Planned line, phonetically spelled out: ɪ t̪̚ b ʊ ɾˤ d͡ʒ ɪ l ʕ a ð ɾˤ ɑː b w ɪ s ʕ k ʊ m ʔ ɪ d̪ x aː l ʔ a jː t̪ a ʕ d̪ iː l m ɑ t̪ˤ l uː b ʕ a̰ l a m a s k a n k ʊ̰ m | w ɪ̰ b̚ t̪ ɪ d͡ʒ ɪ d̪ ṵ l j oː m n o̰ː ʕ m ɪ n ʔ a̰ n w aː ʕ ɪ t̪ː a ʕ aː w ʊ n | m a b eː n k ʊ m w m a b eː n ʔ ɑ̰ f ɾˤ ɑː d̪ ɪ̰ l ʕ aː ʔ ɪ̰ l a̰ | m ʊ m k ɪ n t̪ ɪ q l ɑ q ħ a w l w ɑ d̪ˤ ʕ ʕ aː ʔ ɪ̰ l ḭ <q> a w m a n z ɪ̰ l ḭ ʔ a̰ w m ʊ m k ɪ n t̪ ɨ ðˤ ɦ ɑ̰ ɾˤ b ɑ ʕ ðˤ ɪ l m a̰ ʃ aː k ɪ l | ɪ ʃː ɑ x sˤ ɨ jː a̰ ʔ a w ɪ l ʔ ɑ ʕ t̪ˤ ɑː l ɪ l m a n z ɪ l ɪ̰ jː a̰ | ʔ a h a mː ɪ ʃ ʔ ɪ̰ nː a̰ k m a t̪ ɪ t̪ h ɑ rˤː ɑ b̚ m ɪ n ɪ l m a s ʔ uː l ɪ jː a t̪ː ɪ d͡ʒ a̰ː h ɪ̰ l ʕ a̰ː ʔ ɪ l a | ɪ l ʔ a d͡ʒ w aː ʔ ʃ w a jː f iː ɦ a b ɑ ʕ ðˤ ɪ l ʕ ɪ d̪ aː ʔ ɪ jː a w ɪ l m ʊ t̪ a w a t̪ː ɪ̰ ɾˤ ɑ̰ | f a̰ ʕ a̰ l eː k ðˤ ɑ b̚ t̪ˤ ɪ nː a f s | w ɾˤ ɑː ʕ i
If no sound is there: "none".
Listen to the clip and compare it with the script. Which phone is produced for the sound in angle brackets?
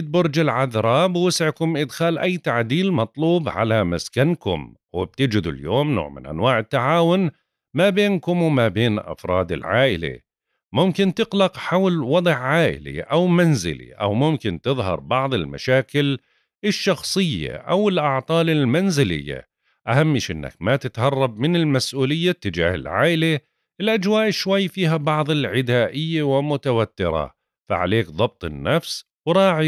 ʔ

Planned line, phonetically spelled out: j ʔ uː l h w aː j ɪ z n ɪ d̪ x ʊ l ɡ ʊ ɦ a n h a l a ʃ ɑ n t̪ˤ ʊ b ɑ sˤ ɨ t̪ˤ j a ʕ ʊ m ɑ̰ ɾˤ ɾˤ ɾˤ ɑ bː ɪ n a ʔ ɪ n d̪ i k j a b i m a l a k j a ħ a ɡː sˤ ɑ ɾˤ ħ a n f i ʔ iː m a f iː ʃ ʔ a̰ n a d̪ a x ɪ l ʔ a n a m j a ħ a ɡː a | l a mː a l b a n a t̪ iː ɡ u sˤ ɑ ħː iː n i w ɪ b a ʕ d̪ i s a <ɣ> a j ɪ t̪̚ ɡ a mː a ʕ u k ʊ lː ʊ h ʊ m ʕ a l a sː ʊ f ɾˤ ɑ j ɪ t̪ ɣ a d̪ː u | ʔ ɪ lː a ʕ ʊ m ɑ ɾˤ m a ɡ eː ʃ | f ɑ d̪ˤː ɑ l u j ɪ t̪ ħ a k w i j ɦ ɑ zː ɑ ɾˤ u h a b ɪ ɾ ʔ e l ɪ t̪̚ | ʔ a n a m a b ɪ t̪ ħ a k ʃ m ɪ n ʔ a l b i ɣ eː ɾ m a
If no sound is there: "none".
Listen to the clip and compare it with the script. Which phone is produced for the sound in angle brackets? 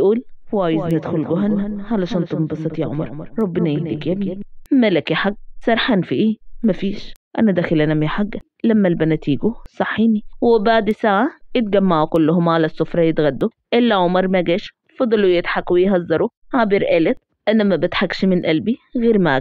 ʕ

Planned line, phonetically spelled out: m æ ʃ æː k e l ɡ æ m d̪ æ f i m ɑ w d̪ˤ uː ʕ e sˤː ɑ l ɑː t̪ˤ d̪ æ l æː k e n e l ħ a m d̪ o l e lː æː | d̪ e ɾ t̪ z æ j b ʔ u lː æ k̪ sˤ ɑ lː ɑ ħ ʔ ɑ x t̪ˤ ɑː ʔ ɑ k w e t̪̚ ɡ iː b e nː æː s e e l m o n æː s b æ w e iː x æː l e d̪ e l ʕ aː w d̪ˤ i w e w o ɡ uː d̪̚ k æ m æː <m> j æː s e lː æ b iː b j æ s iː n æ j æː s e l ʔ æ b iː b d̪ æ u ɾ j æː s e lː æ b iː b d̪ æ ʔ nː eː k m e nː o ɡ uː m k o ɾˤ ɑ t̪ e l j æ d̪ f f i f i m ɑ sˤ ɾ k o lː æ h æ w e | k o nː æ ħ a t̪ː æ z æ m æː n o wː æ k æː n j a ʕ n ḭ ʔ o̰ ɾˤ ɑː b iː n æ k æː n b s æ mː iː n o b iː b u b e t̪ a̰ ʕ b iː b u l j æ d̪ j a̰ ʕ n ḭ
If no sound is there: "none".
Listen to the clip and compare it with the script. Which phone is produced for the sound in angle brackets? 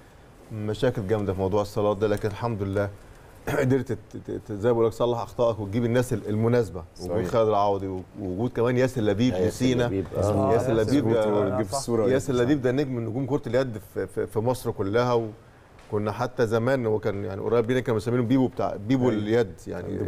n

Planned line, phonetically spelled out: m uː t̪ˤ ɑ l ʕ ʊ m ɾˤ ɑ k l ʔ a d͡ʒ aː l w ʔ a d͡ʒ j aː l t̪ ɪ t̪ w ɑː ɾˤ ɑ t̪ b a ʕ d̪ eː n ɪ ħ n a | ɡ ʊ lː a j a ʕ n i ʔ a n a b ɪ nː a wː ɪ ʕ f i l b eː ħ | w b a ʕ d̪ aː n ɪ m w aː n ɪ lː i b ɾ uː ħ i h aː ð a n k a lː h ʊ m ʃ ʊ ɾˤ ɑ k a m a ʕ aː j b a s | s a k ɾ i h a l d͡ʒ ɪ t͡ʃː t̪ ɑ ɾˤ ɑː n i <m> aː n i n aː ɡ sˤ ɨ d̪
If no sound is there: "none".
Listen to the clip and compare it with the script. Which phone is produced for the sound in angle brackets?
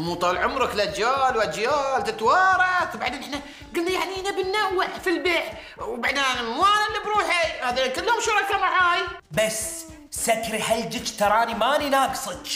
m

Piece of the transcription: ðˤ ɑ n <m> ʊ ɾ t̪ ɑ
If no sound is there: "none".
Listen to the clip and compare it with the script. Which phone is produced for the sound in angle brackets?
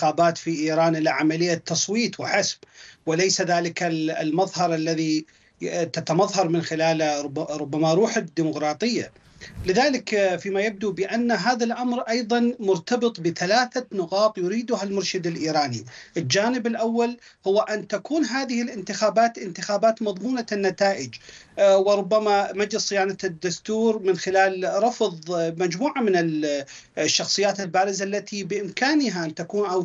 m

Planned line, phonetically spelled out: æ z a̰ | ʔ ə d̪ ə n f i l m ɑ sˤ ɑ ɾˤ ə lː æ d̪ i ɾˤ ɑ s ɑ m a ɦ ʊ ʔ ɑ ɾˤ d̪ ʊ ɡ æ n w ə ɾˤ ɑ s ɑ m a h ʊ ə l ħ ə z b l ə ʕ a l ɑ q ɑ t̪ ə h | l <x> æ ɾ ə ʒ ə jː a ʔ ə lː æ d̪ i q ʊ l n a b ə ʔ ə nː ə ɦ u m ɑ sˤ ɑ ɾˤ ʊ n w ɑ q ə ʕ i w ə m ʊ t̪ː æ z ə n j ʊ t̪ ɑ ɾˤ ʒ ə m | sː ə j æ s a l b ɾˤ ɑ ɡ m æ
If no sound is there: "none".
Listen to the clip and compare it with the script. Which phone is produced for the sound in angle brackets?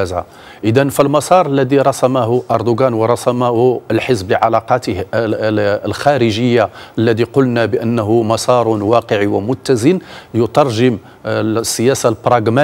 x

